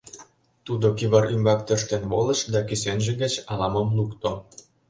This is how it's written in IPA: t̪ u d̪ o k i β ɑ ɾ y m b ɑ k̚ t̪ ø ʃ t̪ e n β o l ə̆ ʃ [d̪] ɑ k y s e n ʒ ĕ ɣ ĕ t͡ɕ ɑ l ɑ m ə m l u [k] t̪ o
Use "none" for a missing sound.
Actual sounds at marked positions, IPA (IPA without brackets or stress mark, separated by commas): d̪, k